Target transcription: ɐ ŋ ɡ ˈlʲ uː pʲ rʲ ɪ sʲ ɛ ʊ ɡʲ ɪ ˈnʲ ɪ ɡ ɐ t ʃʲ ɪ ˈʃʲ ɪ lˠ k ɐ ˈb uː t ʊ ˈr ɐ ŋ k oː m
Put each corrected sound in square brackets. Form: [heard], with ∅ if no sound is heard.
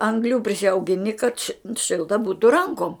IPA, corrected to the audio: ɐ ŋ ɡ ˈlʲ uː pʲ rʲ ɪ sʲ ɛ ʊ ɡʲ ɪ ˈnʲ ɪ [k] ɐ t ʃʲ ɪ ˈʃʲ ɪ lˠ [t] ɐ ˈb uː t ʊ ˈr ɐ ŋ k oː m